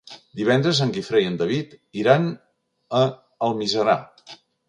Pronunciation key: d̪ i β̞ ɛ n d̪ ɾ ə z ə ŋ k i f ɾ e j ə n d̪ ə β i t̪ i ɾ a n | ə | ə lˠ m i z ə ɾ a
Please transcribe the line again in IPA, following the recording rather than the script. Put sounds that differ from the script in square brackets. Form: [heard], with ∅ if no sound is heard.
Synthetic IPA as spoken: d̪ i β̞ ɛ n d̪ ɾ ə z ə ŋ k i f ɾ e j ə n d̪ ə β i t̪ i ɾ a n | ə | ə lˠ m i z ə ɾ a